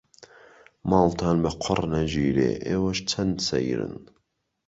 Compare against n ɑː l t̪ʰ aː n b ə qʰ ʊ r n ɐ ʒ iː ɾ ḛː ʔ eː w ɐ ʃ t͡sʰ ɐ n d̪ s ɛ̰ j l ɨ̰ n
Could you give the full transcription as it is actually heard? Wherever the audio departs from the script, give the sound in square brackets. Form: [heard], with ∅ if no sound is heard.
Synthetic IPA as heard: [m] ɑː l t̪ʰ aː n b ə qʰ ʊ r n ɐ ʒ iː ɾ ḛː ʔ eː w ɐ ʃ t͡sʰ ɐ n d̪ s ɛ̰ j [ɾ] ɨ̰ n